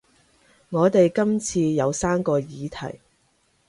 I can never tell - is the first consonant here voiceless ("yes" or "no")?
no